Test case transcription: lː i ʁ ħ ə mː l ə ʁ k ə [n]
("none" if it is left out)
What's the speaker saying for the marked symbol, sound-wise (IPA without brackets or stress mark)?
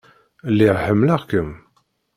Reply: m